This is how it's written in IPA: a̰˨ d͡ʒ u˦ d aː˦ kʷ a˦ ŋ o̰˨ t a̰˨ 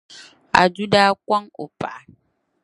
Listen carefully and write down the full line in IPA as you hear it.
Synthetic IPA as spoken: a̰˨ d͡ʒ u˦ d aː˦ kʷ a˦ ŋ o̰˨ p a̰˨